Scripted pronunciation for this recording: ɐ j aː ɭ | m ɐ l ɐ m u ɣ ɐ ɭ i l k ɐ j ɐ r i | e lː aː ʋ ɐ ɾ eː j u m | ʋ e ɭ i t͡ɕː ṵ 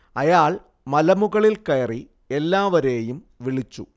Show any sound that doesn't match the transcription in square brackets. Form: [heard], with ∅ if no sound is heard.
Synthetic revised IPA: ɐ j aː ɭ | m ɐ l ɐ m u ɣ ɐ ɭ i l k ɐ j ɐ r i | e lː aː ʋ ɐ ɾ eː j u m | ʋ [i] ɭ i t͡ɕː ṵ